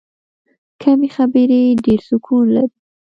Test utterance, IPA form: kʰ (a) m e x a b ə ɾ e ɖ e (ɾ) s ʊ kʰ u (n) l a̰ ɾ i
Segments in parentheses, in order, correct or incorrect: correct, correct, correct

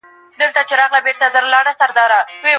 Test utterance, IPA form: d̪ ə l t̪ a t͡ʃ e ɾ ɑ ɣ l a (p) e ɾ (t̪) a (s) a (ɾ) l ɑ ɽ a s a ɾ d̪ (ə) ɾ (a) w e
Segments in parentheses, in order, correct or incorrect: incorrect: b, correct, incorrect: z, correct, incorrect: ɑ, correct

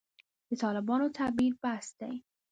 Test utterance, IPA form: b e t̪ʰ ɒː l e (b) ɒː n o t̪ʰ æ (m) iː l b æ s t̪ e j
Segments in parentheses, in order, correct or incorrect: correct, incorrect: b

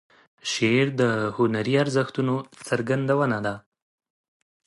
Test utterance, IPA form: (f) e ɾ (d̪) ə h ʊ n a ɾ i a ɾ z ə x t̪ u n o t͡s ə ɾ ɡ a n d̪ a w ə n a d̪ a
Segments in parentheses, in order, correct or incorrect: incorrect: ʃ, correct

